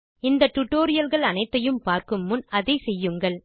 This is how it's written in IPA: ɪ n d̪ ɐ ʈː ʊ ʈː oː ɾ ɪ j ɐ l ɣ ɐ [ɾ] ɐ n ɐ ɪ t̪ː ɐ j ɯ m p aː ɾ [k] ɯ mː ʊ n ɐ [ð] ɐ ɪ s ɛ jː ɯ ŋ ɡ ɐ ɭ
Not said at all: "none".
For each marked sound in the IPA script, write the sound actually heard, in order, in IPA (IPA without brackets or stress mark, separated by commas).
ɭ, k, ð